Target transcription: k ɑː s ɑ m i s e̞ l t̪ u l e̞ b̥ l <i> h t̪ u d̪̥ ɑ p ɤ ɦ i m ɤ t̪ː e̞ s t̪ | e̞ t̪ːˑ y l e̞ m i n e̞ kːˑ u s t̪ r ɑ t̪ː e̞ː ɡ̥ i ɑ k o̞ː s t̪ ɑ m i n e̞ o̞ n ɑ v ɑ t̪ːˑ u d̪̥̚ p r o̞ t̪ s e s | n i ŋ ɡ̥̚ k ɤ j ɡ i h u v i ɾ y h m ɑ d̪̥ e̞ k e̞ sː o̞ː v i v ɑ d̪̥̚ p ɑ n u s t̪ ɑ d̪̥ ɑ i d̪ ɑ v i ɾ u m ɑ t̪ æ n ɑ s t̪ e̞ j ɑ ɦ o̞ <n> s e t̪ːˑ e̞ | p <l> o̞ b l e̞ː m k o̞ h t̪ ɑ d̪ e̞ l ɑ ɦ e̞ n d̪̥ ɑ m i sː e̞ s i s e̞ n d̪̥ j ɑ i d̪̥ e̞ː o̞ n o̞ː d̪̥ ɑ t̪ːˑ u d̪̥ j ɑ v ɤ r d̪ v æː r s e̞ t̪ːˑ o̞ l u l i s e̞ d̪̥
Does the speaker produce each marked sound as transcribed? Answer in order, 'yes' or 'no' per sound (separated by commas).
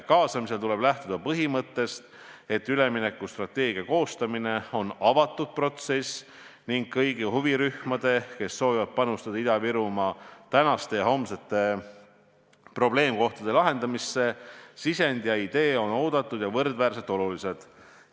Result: no, no, no